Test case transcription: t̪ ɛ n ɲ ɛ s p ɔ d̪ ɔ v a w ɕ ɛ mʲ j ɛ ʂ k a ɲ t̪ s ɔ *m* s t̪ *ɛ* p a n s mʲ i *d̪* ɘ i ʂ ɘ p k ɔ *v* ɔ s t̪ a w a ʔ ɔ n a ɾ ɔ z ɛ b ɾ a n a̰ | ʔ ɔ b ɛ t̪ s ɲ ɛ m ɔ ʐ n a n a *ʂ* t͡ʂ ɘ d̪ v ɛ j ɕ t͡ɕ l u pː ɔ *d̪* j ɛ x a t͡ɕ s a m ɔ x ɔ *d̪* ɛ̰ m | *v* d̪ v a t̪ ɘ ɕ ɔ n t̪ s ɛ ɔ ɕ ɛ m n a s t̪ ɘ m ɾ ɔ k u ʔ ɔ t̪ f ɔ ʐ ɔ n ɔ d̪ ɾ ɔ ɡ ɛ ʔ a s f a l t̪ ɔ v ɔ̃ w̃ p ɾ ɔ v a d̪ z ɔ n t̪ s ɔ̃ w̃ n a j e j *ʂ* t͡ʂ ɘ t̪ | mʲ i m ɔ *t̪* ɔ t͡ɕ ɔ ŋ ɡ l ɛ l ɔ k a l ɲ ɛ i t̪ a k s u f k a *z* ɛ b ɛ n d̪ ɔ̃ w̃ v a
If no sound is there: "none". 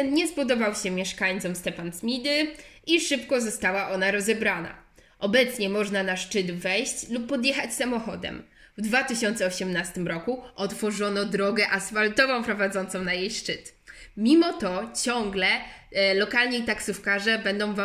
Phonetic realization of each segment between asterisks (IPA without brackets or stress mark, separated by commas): m, ɛ, d̪, z, ʂ, d̪, d̪, v, ʂ, t̪, ʐ